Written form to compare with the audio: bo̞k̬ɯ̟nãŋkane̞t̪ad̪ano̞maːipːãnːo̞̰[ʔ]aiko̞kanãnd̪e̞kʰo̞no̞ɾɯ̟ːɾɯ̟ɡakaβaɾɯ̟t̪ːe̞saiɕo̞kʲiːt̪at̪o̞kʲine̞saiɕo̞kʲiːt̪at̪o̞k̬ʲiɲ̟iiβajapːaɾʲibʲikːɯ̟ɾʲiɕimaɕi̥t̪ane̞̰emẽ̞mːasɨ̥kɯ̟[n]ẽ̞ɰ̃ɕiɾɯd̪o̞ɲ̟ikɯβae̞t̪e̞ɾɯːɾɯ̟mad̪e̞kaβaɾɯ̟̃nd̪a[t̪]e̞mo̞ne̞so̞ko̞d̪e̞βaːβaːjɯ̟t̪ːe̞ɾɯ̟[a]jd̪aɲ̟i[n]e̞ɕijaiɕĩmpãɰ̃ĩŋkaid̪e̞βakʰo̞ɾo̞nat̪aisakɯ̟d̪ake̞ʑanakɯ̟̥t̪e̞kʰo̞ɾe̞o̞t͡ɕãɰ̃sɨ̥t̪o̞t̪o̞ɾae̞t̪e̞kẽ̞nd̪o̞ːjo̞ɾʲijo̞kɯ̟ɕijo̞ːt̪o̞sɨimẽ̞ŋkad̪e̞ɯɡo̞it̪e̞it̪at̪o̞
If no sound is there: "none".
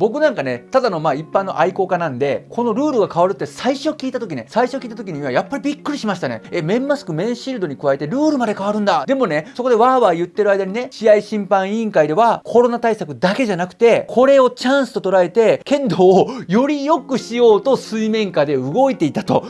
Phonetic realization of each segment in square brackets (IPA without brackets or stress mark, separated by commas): ʔ, m, d̪, a, n